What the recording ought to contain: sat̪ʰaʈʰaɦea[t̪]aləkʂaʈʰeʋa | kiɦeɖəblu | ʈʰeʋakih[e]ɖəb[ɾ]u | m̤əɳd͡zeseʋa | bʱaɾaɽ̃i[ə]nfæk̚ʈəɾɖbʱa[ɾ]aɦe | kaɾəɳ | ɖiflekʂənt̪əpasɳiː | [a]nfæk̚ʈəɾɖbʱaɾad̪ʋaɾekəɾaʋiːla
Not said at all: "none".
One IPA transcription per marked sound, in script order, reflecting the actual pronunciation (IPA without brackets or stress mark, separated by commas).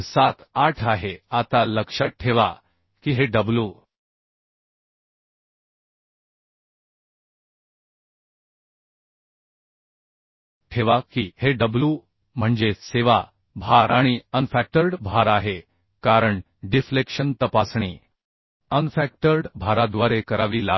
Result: t̪, e, l, ə, ɾ, ə